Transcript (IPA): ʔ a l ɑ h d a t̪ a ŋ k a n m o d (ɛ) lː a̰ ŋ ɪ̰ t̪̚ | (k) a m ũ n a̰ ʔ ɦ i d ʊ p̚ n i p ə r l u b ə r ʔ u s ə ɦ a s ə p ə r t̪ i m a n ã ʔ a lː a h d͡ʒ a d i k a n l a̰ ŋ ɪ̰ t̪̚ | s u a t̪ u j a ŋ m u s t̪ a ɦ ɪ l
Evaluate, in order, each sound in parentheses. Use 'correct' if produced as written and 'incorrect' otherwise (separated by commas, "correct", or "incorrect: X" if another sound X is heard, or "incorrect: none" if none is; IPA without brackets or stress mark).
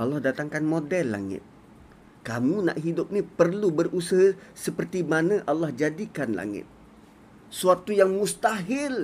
correct, correct